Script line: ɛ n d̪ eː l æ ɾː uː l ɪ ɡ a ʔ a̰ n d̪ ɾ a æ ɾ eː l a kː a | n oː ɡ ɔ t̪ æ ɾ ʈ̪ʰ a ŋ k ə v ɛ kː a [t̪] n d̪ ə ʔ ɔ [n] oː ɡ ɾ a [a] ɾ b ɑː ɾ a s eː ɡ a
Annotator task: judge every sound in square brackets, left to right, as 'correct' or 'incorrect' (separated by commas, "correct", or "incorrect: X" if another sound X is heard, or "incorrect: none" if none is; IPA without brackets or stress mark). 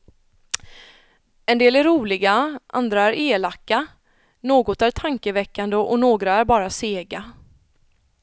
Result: incorrect: none, correct, incorrect: æ